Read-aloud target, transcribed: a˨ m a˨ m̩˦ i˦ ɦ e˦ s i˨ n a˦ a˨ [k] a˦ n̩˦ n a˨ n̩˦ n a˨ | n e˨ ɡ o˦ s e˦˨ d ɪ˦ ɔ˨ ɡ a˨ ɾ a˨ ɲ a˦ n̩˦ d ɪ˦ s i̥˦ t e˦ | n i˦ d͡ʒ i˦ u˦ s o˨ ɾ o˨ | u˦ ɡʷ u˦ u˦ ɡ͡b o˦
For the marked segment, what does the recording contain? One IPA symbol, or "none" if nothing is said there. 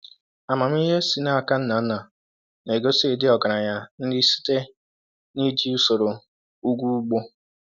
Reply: k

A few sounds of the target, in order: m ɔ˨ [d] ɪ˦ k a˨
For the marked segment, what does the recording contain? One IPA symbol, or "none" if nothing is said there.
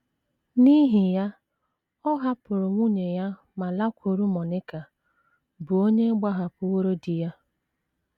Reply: n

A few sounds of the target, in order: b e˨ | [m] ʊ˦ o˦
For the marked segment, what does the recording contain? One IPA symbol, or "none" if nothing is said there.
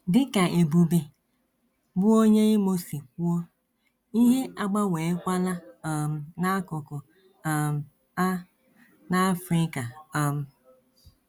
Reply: b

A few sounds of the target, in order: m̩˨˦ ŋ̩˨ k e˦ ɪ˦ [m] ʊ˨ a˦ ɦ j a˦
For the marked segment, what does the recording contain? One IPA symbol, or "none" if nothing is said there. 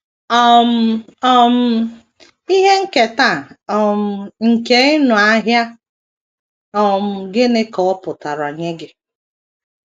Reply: n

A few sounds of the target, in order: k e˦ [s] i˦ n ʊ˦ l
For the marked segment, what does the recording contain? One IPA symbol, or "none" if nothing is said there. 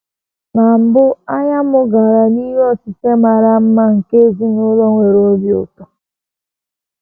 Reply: z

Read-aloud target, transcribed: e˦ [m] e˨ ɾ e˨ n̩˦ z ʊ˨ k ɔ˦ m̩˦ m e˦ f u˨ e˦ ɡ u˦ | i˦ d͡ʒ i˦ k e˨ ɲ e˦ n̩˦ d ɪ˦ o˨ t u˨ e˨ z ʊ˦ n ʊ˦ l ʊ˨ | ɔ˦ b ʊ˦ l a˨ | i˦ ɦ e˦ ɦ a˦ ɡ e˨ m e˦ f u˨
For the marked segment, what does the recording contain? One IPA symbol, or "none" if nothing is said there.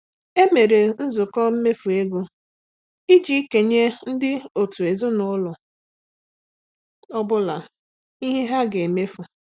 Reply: m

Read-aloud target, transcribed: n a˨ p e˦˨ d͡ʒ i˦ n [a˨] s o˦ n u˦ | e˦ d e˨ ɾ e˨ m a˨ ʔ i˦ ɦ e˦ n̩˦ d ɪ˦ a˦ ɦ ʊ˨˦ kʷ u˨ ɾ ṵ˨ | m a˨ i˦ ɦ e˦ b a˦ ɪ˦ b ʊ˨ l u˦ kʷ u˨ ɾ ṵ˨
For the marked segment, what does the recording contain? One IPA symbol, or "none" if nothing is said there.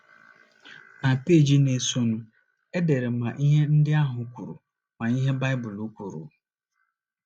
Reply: e˨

